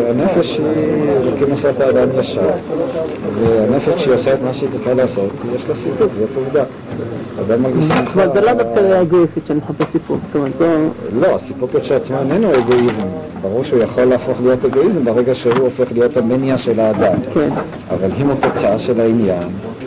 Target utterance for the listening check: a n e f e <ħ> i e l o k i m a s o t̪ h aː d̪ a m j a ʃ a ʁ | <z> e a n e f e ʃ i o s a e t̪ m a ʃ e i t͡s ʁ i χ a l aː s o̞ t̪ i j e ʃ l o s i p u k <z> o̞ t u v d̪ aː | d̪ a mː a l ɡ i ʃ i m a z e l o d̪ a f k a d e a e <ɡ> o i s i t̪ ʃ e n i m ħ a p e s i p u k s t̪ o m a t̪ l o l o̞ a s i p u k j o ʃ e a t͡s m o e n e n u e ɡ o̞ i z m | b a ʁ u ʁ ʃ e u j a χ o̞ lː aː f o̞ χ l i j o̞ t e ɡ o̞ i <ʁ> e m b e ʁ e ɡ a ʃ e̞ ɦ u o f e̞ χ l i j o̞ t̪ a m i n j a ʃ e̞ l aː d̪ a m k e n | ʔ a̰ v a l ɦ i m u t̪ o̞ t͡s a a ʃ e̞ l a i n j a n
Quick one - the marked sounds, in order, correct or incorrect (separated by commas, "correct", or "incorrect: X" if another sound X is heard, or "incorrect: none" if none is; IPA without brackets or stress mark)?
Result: incorrect: ʃ, incorrect: v, correct, correct, incorrect: z